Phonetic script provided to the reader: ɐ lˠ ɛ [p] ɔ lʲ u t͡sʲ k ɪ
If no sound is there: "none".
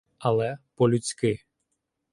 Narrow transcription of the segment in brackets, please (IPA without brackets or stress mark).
p